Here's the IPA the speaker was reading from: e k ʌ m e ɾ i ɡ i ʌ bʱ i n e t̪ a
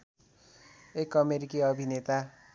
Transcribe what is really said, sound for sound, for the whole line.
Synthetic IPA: e k ʌ m e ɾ i k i ʌ bʱ i n e t̪ a